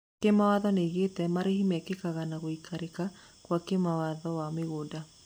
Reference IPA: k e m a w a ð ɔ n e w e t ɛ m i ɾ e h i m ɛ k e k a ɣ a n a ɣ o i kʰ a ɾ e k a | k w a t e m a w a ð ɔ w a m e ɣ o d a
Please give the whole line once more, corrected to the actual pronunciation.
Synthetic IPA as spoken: k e m a w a ð ɔ n e ɣ e t ɛ m a ɾ e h i m ɛ k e k a ɣ a n a ɣ o i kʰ a ɾ e k a | k w a k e m a w a ð ɔ w a m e ɣ o d a